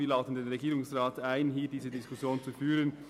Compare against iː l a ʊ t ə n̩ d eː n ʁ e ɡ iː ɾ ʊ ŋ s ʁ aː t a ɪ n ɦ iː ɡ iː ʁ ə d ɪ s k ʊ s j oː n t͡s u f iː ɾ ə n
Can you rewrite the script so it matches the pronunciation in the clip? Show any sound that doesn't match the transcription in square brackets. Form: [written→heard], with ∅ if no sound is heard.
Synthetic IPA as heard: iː l a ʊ t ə n̩ d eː n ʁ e ɡ iː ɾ ʊ ŋ s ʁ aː t a ɪ n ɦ iː [ɡ→d] iː [ʁ→z] ə d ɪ s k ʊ s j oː n t͡s u f [iː→yː] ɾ ə n

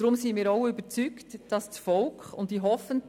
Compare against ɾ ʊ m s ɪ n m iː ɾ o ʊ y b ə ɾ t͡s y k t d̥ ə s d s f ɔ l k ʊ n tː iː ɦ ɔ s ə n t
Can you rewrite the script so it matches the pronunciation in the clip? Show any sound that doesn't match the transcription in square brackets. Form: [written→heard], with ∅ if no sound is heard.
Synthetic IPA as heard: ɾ ʊ m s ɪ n m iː ɾ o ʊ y b ə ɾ t͡s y k t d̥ [ə→ɑ] s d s f ɔ l k ʊ n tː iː ɦ ɔ [s→f] ə n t

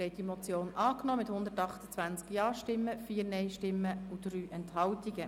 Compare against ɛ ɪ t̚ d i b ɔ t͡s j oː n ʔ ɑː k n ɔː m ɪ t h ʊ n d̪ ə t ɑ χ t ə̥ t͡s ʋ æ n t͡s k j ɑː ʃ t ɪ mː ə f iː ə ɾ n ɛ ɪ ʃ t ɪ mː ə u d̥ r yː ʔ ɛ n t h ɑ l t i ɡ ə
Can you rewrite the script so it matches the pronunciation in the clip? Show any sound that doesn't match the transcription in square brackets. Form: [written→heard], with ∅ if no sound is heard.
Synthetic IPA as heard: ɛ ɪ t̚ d i [b→m] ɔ t͡s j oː n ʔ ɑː k n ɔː m ɪ t h ʊ n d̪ ə t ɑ χ t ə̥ t͡s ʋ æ n t͡s k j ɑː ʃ t ɪ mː ə f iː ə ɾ n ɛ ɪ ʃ t ɪ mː ə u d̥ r yː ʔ ɛ n t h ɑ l t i ɡ ə

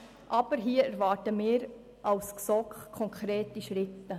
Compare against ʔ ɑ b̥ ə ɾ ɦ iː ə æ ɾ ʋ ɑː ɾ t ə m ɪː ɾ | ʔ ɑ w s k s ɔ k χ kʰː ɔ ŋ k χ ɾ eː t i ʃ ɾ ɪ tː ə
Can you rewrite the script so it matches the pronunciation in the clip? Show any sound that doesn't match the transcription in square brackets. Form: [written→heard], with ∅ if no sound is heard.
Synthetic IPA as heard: ʔ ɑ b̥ ə ɾ ɦ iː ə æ ɾ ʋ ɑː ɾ t ə m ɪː ɾ | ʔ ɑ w s k s ɔ k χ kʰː ɔ ŋ k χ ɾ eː t i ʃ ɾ ɪ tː ə

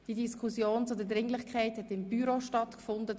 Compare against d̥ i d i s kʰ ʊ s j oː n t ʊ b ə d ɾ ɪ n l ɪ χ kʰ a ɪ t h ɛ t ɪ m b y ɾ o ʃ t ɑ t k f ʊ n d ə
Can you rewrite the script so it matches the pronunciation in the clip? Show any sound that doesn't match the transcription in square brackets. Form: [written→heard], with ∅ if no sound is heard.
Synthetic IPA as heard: d̥ i d i s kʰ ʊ s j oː n [t→t͡s] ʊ [b→d] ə d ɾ ɪ [n→ŋ] l ɪ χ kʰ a ɪ t h ɛ t ɪ m b y ɾ o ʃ t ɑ t k f ʊ n d ə

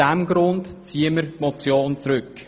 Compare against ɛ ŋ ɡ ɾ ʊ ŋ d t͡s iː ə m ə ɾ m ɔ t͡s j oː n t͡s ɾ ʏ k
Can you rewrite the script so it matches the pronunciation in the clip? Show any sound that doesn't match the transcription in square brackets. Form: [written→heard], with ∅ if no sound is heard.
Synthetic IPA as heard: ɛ [ŋ→m] ɡ ɾ ʊ [ŋ→n] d t͡s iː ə m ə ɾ m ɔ t͡s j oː n t͡s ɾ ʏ k

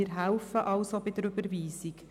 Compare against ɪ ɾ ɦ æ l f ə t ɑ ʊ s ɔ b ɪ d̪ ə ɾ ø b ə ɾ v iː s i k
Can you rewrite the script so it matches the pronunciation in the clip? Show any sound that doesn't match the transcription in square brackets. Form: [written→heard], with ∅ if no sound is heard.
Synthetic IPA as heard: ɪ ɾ ɦ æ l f ə [t→ʔ] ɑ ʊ s [ɔ→o] b ɪ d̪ ə ɾ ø b ə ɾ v iː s i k

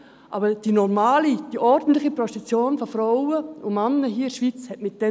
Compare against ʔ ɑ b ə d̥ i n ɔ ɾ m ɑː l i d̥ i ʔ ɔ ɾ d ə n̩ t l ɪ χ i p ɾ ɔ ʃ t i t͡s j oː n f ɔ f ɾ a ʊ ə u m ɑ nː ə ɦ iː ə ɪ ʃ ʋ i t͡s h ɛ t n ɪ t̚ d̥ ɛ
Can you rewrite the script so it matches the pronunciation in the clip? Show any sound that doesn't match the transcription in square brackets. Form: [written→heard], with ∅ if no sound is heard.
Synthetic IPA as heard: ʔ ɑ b ə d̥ i n ɔ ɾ m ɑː l i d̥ i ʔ ɔ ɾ d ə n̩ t l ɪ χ i p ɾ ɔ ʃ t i t͡s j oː n f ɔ f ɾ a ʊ ə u m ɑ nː ə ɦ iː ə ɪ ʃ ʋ i t͡s h ɛ t [n→m] ɪ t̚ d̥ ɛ

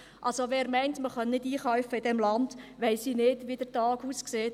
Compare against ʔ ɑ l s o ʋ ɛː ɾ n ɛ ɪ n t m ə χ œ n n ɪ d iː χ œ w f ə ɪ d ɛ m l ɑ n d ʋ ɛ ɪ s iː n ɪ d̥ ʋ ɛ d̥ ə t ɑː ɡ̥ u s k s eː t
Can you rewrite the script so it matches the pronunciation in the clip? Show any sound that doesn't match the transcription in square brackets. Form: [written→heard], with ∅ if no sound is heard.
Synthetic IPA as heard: ʔ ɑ l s o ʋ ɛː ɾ [n→m] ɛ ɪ n t m ə χ œ n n ɪ d iː χ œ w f ə ɪ d ɛ m l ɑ n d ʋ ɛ ɪ s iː n ɪ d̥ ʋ [ɛ→i] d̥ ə t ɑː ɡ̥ u s k s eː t

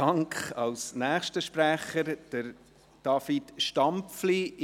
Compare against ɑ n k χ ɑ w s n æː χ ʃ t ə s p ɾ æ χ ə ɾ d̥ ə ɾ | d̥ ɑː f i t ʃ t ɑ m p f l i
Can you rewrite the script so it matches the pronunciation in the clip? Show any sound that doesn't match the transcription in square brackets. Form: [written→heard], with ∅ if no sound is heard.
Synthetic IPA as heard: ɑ [n→ŋ] k χ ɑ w s n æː χ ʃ t ə [s→ʃ] p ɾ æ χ ə ɾ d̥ ə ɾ | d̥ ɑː f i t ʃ t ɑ m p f l i

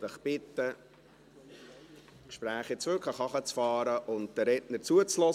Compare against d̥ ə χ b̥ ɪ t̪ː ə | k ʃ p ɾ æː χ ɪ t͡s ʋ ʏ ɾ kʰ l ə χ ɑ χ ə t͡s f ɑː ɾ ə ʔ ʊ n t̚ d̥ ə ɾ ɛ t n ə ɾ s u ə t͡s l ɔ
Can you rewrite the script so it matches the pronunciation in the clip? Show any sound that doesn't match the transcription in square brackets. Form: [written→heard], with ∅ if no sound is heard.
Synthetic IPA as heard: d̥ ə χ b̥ ɪ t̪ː ə | k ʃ p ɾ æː χ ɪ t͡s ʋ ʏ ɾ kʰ l ə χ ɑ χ ə t͡s f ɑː ɾ ə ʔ ʊ n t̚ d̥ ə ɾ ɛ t n ə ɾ [s→t͡s] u ə t͡s l ɔ

